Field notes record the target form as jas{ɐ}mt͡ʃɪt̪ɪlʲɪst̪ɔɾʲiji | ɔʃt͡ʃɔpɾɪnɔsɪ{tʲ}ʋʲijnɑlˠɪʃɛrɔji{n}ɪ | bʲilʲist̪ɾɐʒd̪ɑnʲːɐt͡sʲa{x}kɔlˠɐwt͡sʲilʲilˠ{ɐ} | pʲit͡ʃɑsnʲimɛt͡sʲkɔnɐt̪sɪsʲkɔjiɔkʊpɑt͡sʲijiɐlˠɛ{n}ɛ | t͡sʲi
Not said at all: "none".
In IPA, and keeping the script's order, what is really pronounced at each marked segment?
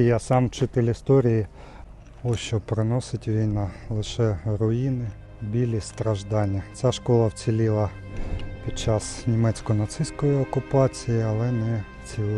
ɑ, tʲ, n, ʃ, ɐ, n

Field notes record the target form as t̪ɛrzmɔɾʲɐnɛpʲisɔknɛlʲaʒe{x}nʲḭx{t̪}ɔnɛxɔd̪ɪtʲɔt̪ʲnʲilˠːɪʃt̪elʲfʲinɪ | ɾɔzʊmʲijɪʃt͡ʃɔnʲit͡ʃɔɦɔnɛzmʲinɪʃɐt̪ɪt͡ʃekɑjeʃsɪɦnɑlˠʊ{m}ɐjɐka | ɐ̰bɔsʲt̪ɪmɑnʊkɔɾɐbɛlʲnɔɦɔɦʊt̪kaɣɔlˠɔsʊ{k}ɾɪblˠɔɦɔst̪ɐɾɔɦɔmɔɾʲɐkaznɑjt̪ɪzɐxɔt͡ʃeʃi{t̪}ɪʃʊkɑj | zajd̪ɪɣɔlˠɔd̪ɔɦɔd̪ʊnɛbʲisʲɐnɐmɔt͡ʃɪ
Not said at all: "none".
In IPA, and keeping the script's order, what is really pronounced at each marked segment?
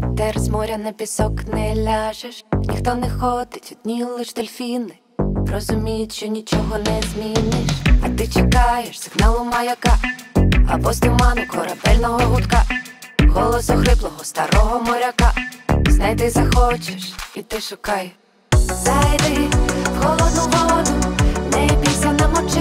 ʃ, t̪, m, x, t̪

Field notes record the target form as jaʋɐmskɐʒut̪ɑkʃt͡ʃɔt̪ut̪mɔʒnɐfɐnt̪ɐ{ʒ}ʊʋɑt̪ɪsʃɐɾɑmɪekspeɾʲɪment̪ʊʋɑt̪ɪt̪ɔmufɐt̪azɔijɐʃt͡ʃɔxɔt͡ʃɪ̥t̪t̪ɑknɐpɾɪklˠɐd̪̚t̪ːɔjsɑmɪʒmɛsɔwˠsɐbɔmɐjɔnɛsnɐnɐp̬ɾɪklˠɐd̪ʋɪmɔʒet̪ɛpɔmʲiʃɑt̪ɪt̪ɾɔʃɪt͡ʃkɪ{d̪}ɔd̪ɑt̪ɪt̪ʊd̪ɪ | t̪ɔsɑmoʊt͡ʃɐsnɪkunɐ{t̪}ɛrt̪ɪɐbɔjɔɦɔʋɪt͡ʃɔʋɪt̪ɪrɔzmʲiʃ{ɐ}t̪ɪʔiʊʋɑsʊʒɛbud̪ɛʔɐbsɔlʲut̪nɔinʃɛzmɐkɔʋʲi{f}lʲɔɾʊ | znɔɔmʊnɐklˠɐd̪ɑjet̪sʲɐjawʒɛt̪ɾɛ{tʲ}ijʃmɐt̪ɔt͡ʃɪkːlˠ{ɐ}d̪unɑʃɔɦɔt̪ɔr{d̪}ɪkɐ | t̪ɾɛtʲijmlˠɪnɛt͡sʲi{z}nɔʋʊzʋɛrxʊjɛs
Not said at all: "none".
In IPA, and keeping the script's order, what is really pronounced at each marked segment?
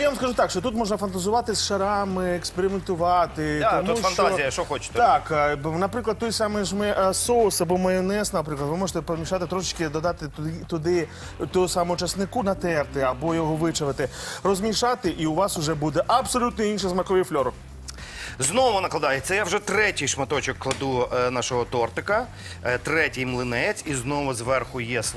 z, d̪, t̪, ɑ, f, tʲ, ɐ, t̪, z

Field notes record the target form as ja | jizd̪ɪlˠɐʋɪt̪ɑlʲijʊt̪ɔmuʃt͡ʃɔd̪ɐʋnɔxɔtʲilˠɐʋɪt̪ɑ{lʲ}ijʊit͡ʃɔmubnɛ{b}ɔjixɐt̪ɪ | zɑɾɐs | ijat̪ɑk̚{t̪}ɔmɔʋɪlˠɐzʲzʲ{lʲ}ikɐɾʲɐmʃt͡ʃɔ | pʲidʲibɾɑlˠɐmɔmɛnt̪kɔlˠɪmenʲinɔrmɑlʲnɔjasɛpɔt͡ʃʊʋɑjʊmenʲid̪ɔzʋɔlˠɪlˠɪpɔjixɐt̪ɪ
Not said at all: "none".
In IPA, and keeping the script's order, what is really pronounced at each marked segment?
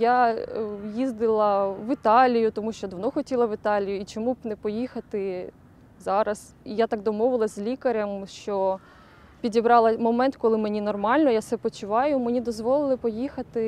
lʲ, p, d̪, lʲ

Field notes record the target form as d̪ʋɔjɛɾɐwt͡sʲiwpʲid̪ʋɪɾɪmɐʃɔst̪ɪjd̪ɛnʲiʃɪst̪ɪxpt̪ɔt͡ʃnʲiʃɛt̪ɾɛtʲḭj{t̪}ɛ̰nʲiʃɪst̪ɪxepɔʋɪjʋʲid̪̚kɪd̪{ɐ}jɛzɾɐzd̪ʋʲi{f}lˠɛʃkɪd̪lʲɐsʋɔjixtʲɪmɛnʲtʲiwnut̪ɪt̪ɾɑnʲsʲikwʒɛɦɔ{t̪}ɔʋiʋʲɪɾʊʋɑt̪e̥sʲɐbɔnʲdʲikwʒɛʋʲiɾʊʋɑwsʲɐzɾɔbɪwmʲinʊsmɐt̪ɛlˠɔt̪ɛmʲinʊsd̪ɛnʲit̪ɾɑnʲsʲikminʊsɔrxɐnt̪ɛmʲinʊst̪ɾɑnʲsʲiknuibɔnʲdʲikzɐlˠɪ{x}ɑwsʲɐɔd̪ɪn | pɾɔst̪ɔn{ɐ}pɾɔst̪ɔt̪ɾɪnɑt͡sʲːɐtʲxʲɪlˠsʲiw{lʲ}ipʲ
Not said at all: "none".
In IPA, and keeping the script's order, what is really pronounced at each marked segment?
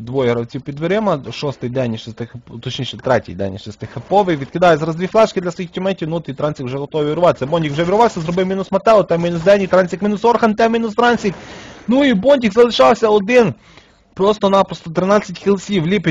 d̪, ɑ, f, t̪, ʃ, ɑ, lʲ

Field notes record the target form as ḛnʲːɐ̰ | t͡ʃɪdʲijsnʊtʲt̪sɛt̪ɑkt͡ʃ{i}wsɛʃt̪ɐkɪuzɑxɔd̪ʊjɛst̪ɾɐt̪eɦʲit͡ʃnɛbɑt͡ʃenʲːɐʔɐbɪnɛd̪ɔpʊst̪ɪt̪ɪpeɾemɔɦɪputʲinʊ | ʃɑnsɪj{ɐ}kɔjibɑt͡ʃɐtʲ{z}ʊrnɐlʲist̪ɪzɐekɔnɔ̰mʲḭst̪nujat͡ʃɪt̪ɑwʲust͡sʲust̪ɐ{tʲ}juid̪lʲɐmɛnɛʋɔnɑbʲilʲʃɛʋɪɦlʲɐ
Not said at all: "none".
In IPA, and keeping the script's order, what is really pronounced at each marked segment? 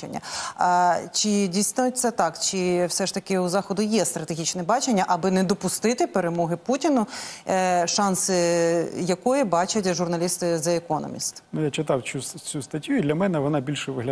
ɪ, ɐ, ʒ, tʲ

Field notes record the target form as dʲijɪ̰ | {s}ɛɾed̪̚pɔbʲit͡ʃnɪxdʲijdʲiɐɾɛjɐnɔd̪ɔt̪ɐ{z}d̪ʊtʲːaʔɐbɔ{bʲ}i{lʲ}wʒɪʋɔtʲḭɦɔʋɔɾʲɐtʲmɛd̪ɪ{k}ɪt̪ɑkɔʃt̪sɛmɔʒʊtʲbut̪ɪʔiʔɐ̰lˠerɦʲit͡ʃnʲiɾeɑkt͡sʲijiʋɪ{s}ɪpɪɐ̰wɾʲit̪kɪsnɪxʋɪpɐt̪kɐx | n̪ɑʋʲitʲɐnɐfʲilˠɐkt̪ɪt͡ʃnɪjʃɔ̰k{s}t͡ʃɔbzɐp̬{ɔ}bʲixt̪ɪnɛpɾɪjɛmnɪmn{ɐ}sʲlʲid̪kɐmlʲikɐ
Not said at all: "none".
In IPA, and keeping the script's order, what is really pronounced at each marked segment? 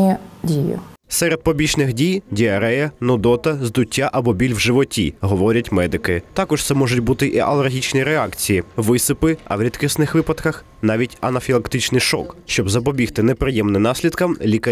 s, z, bʲ, lʲ, k, s, ʃ, ɔ, ɑ

